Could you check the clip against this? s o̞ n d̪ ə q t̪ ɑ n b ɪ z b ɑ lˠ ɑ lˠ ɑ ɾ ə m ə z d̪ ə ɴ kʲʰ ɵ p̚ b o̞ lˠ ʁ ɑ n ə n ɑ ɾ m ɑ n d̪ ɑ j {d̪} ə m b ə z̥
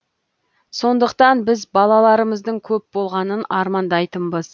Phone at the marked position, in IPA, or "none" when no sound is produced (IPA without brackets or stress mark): t̪